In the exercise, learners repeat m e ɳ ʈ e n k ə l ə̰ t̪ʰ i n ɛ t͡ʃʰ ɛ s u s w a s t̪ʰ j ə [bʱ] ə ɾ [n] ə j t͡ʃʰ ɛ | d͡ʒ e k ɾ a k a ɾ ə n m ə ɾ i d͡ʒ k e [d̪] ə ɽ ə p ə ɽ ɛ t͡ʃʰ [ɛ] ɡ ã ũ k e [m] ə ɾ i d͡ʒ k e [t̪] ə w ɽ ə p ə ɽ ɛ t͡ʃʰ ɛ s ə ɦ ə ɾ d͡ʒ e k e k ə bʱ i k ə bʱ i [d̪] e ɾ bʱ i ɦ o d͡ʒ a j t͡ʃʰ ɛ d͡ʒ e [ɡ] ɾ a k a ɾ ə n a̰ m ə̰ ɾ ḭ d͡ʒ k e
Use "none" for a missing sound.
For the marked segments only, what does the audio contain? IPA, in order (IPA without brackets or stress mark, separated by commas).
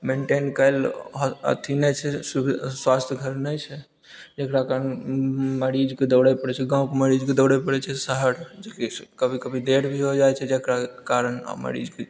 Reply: ɡʱ, n, d̪, ɛ, m, d̪, d̪, k